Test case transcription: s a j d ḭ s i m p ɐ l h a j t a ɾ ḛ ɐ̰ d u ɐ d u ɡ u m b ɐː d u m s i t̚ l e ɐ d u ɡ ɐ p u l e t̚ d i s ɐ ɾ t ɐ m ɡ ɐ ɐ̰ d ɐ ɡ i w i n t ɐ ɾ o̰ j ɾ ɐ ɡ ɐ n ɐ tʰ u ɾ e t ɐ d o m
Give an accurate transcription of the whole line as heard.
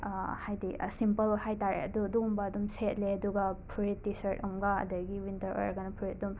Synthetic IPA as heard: h a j d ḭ s i m p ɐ l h a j t a ɾ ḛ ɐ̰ d u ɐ d u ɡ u m b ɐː d u m s e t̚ l e ɐ d u ɡ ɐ pʰ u ɾ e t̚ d i s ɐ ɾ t ɐ m ɡ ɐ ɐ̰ d ɐ ɡ i w i n t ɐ ɾ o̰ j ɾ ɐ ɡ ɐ n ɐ pʰ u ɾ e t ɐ d u m